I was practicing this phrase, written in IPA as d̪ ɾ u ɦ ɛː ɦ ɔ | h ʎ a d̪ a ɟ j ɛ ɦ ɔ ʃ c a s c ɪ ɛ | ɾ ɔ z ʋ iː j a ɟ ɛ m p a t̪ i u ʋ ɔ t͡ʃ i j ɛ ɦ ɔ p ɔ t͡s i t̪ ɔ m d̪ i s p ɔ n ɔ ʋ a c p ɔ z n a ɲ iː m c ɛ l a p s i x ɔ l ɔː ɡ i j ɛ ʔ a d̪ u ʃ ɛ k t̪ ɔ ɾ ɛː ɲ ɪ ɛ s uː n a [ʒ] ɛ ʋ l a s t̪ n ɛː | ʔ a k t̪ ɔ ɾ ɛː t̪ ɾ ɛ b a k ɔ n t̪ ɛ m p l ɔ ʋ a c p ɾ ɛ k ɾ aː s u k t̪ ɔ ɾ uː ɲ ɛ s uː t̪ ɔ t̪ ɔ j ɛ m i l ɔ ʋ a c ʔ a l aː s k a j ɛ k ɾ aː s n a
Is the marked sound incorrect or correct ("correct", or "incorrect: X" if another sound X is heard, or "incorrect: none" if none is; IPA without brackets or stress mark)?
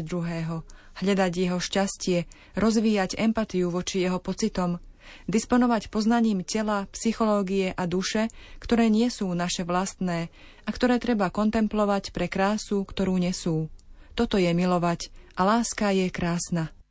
incorrect: ʃ